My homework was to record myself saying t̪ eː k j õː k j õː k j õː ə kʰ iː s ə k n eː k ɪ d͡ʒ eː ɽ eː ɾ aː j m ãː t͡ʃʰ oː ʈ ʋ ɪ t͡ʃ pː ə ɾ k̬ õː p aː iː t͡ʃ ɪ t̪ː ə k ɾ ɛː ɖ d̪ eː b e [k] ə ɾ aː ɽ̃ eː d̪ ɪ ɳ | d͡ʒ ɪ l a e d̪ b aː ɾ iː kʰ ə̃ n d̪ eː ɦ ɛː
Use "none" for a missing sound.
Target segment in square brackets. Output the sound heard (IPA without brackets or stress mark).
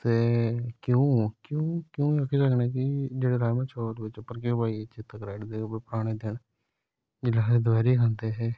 p